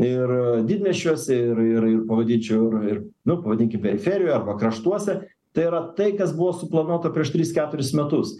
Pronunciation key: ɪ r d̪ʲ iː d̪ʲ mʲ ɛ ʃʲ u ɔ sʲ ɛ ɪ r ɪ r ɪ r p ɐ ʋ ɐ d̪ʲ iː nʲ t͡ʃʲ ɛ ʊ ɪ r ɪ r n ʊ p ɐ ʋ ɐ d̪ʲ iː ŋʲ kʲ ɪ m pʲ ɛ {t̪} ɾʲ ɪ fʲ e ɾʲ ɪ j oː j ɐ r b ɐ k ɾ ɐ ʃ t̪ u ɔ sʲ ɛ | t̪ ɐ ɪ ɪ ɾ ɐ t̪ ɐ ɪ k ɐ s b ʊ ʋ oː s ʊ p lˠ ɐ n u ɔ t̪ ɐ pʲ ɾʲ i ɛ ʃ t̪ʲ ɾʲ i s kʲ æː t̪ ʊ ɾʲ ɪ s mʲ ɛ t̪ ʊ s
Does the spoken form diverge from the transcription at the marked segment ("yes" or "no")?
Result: yes